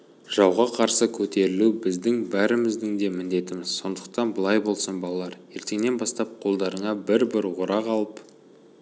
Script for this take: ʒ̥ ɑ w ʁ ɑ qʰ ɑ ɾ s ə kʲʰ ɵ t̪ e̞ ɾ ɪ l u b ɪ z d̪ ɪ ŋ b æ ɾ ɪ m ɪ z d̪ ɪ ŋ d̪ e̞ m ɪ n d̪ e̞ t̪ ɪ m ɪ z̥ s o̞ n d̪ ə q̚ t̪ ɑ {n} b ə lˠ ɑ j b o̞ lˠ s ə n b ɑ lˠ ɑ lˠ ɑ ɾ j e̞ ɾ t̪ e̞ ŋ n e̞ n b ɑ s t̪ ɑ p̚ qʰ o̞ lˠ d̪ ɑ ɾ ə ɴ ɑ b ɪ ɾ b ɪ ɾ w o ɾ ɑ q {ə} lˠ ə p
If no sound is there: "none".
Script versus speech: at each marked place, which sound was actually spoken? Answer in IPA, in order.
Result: n, ɑ

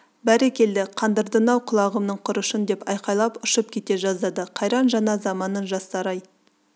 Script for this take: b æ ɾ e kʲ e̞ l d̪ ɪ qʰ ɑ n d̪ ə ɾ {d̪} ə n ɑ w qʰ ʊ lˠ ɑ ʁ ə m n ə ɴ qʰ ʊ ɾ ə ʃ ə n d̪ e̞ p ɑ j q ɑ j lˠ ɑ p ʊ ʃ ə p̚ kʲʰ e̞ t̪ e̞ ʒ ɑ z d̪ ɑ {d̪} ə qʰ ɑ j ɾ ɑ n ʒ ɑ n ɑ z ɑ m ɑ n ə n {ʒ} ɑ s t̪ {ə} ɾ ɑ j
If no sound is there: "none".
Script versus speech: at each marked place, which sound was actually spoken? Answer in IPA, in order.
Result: d̪, d̪, ʒ, ɑ

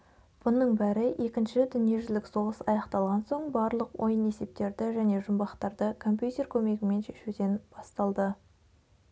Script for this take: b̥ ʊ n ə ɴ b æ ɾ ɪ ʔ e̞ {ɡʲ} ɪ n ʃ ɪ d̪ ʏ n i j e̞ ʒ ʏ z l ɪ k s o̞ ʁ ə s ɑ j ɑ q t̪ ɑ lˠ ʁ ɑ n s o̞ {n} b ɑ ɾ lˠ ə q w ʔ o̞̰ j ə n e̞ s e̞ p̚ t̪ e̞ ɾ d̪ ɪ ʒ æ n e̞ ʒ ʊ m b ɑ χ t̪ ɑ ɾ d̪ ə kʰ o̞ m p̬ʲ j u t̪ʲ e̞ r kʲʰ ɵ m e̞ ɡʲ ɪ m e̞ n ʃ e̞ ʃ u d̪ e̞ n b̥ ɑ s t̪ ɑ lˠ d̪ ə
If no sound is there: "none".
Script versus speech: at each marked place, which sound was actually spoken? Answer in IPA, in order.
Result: kʲ, ɴ

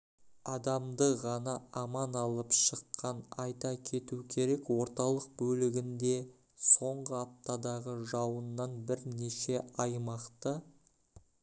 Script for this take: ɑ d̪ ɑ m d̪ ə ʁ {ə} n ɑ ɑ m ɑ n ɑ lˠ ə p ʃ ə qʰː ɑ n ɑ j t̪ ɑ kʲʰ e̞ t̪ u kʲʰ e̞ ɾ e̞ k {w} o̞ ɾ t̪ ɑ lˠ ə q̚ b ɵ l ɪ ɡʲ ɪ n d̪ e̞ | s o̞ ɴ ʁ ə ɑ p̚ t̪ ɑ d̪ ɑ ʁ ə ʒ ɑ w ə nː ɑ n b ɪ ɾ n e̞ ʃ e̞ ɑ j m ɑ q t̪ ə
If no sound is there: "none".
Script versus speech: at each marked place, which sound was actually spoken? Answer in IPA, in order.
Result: ɑ, w

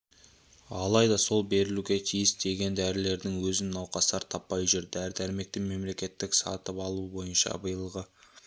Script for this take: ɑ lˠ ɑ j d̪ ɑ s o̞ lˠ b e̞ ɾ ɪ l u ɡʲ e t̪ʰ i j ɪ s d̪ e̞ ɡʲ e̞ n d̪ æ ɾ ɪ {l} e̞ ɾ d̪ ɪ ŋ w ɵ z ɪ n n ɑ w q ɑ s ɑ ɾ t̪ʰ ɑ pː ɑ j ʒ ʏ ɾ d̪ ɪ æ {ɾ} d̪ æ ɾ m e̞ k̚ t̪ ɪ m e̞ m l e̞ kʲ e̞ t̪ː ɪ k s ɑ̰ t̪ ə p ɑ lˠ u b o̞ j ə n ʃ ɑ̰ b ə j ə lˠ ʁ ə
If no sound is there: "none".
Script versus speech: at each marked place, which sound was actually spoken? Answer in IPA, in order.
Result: l, ɾ

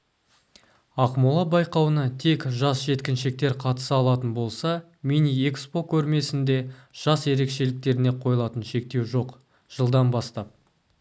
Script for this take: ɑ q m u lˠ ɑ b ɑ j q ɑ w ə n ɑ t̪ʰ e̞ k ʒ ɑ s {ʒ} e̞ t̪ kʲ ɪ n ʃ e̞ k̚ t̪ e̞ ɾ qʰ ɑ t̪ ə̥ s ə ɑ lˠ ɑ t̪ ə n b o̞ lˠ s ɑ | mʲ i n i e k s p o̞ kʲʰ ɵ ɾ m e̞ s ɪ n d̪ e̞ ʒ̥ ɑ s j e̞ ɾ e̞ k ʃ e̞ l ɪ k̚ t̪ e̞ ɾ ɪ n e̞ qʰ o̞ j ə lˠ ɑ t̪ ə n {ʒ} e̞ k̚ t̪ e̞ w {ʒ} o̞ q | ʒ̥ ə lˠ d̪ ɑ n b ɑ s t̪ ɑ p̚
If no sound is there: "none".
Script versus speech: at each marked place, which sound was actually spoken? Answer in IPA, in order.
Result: ʒ, ʃ, ʒ

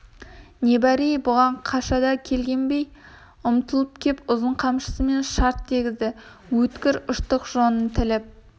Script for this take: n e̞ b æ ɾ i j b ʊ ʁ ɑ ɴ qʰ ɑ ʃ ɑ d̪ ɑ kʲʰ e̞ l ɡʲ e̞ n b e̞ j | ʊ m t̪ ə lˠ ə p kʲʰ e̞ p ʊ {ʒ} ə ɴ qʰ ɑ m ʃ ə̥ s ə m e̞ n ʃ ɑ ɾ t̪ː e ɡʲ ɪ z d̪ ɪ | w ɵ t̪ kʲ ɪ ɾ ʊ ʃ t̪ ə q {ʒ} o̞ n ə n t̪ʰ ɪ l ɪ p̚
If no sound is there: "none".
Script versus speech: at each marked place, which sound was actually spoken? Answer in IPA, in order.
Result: z, ʒ

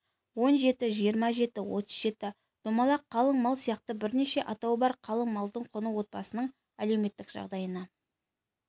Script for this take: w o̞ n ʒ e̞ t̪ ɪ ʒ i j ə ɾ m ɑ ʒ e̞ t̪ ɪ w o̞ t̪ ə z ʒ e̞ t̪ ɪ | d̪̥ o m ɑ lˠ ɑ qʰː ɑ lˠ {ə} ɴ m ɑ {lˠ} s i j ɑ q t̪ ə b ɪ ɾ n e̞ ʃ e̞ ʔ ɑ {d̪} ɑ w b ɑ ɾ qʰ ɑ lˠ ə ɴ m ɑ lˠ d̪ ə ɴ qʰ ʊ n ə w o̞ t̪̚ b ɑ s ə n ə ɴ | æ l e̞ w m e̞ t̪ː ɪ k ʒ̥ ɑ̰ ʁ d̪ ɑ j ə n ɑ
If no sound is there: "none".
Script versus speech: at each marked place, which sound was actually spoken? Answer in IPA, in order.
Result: ə, lˠ, t̪

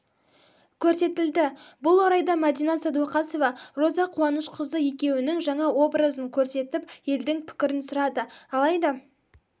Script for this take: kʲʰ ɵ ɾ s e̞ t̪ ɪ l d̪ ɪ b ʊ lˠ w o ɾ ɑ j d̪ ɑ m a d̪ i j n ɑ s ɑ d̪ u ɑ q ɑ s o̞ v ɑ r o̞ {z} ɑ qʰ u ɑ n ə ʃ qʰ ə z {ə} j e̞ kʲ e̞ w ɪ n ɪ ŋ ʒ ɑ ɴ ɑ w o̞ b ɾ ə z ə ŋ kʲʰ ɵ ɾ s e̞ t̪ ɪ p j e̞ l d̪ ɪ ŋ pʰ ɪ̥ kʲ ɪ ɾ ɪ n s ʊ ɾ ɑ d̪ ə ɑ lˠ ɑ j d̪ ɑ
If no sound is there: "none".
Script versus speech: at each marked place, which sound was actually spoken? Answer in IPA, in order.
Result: z, ə

